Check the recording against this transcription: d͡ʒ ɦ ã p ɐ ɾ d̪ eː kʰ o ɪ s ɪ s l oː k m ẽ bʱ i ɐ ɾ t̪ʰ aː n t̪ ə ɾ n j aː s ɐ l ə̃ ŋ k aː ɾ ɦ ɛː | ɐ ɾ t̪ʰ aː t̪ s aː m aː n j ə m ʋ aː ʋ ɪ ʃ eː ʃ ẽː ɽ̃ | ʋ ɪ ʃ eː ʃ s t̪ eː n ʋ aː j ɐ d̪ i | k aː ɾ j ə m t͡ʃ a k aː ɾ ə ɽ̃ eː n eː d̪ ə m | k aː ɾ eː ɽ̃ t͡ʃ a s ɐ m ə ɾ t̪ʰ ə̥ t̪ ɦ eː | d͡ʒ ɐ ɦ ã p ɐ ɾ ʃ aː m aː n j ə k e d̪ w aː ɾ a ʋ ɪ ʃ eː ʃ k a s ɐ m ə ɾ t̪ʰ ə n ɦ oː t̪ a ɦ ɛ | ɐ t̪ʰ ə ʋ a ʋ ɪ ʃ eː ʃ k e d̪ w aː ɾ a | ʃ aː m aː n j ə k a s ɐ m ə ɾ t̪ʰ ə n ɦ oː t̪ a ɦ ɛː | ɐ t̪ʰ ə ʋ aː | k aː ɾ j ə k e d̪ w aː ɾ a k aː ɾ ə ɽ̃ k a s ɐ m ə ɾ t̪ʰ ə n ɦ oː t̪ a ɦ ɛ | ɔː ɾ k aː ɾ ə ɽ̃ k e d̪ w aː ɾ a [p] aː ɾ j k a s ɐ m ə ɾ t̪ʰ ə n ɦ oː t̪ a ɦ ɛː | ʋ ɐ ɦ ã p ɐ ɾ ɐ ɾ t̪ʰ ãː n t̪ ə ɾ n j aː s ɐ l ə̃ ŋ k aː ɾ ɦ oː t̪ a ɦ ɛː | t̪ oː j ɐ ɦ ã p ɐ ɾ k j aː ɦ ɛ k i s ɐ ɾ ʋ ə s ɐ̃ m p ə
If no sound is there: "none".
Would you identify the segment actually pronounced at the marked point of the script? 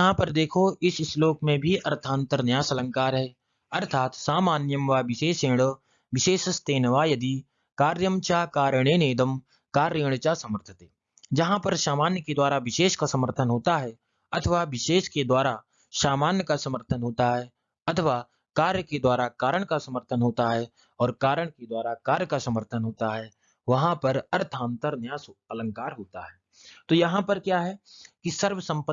k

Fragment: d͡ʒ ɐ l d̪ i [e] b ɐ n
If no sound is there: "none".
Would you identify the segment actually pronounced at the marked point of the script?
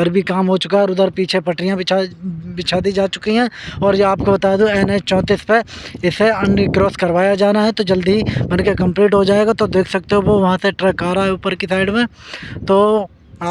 i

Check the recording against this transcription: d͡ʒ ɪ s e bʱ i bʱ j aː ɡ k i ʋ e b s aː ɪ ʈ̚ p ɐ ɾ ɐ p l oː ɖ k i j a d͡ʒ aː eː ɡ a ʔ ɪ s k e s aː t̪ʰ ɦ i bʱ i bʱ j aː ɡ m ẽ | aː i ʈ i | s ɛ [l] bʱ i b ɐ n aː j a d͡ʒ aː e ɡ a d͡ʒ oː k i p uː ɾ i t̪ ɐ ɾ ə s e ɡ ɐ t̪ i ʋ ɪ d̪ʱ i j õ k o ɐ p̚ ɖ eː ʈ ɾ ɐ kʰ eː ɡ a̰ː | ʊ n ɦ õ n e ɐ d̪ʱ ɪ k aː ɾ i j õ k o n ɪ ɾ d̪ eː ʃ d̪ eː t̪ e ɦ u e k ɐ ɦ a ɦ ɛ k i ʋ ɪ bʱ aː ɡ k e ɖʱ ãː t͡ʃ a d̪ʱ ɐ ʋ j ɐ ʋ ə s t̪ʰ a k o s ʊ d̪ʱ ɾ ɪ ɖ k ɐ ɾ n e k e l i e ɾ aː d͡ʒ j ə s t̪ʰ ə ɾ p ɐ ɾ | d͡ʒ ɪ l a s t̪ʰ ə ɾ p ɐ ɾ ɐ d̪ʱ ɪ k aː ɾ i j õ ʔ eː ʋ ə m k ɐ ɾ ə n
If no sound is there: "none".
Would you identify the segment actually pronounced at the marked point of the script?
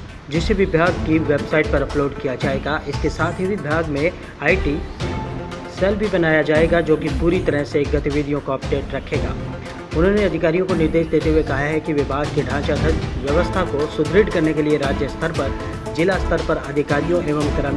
l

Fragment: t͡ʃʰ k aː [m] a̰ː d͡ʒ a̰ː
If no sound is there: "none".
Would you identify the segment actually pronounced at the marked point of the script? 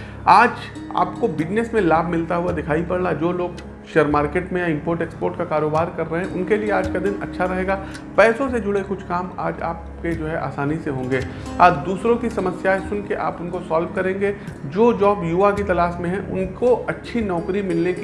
m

